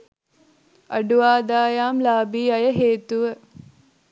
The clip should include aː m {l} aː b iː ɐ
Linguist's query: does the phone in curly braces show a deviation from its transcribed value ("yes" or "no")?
no